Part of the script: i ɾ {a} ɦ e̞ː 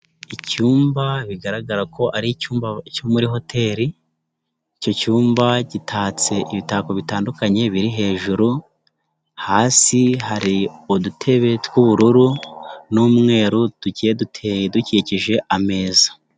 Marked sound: incorrect: i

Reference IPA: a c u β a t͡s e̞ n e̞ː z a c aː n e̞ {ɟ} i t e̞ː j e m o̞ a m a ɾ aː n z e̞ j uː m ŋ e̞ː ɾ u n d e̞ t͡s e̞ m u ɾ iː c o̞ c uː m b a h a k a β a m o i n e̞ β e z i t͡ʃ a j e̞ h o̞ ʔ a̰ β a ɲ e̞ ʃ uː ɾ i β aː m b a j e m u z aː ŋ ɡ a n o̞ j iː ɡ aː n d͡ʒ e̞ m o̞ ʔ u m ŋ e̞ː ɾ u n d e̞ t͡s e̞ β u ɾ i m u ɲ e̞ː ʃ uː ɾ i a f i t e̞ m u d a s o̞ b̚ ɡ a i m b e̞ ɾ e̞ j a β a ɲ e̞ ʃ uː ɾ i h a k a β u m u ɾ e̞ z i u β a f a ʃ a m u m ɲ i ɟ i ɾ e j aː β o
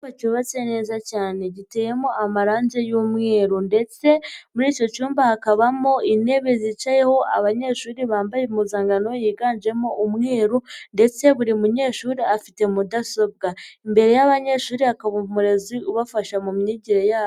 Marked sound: correct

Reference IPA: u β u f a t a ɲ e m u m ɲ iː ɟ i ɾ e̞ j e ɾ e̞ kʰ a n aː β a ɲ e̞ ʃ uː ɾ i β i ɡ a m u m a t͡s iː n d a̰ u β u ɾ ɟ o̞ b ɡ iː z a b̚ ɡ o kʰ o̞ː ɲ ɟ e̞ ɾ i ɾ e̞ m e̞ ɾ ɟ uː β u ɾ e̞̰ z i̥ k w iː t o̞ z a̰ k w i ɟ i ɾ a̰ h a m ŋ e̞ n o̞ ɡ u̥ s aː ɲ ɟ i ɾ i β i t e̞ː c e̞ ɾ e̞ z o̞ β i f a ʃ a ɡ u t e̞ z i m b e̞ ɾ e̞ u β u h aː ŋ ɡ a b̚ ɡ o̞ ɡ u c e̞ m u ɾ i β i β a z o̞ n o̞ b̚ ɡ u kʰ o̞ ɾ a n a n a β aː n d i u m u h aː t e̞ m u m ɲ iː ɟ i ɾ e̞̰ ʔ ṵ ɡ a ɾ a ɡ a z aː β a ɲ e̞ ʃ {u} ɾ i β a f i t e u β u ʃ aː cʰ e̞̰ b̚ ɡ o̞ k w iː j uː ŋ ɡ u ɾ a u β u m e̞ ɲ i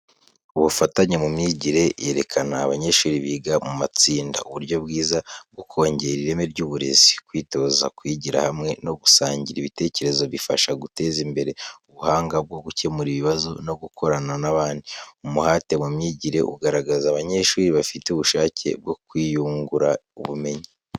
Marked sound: incorrect: uː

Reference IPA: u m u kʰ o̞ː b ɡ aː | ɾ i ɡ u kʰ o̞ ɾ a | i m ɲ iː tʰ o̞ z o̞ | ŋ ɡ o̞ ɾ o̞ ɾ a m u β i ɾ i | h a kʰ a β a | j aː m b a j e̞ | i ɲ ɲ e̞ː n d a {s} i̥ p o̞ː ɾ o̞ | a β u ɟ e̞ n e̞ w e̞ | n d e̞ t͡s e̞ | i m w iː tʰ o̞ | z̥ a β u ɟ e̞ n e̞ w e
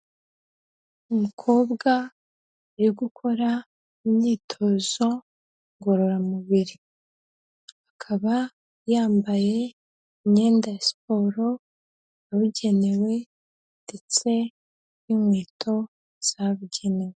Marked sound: correct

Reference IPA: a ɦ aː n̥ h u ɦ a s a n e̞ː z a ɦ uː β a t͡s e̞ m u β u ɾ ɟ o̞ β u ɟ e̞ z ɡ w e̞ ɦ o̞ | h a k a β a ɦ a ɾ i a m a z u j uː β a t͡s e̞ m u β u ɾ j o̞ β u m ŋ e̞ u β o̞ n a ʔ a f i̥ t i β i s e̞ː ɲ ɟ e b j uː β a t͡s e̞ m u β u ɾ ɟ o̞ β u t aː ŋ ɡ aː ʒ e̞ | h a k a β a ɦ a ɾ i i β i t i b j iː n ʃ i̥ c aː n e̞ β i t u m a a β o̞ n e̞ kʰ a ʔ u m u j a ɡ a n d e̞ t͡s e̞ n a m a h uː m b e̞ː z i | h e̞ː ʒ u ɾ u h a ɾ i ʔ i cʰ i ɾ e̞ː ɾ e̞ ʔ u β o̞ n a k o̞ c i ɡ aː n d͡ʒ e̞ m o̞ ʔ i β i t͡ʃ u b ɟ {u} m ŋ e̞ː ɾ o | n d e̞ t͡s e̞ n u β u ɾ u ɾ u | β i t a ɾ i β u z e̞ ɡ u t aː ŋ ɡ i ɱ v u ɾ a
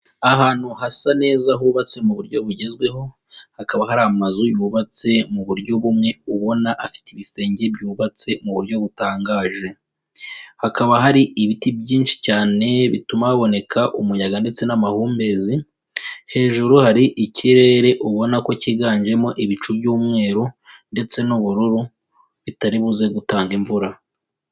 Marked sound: incorrect: uː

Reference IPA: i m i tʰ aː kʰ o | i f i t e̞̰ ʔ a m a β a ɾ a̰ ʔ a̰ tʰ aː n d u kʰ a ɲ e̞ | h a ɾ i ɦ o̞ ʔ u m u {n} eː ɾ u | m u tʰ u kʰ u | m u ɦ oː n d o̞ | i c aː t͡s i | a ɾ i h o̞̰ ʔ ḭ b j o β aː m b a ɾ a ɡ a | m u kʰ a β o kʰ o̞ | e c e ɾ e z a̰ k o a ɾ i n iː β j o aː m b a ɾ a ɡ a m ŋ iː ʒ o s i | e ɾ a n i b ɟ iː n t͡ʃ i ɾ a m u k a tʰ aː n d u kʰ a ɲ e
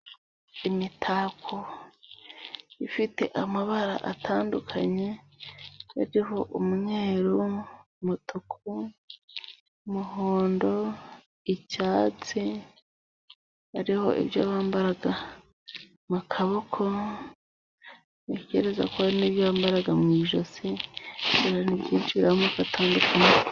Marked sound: incorrect: ɲ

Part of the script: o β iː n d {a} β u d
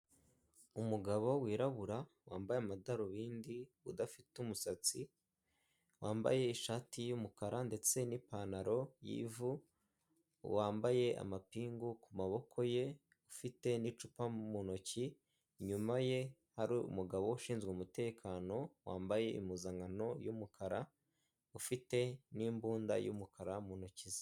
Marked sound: incorrect: i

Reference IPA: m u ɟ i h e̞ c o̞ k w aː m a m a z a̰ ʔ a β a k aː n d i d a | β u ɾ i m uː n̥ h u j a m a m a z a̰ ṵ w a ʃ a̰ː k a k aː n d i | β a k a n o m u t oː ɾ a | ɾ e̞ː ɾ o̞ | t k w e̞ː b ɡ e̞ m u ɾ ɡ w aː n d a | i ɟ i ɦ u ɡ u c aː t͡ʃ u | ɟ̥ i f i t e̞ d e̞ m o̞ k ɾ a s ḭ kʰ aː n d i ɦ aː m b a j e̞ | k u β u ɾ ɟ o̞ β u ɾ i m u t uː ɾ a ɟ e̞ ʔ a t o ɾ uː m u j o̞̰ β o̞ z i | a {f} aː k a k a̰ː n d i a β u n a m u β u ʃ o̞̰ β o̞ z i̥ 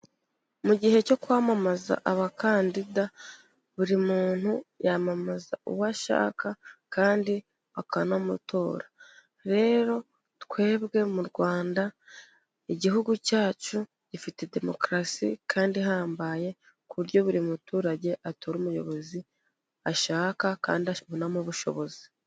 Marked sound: incorrect: ʃ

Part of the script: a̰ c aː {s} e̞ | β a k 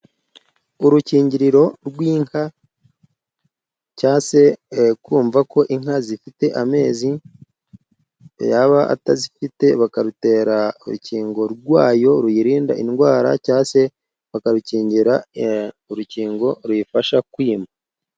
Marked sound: correct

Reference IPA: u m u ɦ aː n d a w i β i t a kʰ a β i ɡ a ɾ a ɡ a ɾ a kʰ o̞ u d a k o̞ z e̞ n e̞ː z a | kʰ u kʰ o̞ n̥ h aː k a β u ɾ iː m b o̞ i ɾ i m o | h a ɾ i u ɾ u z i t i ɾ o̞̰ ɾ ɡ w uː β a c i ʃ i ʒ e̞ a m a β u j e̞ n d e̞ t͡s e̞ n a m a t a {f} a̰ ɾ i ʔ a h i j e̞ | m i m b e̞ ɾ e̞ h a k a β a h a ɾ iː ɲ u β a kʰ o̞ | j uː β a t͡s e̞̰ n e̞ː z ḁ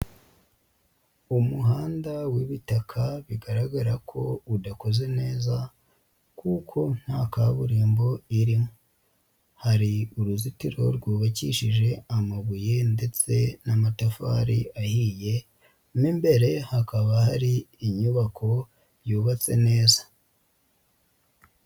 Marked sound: correct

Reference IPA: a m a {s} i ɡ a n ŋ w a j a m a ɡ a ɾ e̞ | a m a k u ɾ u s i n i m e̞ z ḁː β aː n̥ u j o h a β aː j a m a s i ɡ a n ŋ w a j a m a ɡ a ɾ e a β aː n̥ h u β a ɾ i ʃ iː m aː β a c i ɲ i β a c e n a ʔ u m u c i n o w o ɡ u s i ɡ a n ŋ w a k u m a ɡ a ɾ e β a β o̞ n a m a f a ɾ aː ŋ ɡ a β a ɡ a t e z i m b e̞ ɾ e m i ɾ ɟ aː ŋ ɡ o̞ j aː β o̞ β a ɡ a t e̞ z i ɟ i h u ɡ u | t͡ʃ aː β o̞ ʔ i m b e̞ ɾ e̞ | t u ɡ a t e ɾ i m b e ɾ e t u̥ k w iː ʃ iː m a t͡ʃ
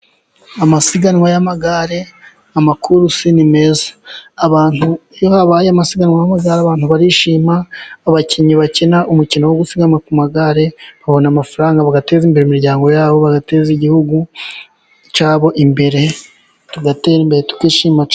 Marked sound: correct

